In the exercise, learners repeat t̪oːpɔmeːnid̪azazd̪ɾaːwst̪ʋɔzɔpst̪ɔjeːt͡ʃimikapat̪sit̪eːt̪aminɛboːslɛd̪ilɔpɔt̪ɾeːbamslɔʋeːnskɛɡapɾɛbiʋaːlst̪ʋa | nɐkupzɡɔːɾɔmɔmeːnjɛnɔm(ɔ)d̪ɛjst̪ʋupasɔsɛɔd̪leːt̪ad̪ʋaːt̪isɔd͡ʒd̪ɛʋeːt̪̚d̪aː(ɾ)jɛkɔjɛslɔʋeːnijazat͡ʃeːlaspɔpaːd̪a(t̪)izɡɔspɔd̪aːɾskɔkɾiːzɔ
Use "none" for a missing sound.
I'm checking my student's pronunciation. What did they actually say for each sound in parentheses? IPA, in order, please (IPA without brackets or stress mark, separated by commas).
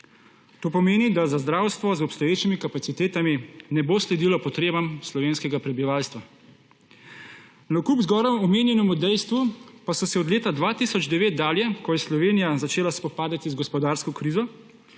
u, l, t̪